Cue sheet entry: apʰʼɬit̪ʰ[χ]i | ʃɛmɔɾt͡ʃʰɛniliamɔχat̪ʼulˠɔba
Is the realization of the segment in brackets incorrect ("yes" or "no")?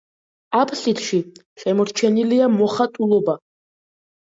yes